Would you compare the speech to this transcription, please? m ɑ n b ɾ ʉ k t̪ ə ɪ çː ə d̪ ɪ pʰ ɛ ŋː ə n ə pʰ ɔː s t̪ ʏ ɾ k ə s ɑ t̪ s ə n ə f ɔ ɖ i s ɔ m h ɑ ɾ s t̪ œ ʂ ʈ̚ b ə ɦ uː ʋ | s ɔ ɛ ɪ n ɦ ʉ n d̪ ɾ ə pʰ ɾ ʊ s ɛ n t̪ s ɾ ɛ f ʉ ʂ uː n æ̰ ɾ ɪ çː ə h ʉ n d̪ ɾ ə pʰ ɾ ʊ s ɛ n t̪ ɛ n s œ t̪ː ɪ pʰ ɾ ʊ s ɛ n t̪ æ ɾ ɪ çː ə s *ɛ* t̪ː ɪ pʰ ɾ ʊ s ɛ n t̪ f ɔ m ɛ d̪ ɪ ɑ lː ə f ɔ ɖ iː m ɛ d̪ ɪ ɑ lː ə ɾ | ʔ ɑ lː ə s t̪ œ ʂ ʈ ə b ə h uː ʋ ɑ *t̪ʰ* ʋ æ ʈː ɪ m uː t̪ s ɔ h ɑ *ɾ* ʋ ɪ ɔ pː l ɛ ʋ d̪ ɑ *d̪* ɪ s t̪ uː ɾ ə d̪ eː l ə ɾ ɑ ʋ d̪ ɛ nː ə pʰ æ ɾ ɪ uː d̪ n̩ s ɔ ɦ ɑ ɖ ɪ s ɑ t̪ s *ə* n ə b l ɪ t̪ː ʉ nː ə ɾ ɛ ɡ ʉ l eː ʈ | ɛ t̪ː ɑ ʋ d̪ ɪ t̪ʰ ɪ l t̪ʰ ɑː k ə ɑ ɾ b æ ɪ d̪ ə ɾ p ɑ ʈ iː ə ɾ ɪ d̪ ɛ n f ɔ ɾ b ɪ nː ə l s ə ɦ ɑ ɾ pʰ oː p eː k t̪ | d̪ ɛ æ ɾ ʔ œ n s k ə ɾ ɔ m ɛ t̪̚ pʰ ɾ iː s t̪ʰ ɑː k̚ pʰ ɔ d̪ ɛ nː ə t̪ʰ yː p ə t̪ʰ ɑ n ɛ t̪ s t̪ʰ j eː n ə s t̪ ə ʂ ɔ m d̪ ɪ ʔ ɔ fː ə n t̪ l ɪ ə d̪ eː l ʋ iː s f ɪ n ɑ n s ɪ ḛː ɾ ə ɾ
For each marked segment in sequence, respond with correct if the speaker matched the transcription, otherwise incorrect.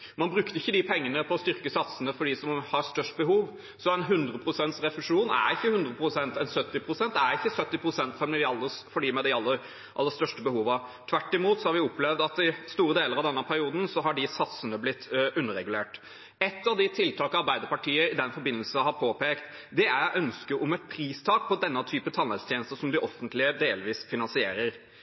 incorrect, correct, correct, incorrect, correct

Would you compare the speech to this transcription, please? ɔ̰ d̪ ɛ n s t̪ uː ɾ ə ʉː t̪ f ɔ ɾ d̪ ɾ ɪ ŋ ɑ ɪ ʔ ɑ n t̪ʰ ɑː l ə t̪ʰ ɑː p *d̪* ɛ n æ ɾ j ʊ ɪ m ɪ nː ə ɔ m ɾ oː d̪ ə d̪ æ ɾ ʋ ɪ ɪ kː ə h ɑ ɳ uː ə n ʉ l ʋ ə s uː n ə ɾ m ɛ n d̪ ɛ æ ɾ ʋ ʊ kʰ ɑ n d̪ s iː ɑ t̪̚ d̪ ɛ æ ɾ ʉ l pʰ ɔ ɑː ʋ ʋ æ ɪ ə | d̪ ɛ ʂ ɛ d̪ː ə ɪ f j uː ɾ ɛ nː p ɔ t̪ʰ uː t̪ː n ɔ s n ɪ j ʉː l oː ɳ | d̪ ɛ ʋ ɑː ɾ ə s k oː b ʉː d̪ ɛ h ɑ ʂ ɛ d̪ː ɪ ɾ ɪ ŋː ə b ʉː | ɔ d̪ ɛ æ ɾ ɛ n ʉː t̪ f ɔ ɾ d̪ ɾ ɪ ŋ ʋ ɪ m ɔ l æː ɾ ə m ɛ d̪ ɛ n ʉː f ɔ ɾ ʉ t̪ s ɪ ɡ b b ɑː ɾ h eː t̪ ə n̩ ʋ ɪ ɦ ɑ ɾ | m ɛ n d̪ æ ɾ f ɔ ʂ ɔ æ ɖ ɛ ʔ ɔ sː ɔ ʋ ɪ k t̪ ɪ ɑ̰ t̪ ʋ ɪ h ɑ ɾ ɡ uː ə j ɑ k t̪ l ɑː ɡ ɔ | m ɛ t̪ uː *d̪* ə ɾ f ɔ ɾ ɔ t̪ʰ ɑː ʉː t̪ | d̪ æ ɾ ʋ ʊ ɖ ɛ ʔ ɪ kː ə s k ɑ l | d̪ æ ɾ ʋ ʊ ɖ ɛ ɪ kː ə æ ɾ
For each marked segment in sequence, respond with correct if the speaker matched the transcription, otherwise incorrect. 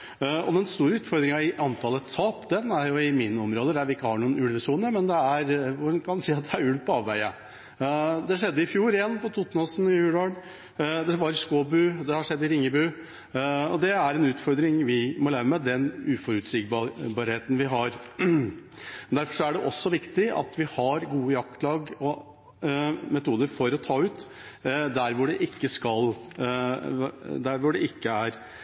correct, correct

